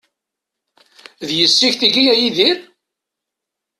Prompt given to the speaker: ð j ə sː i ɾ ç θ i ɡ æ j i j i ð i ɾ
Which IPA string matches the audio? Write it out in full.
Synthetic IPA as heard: ð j ə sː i ç θ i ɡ i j æ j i ð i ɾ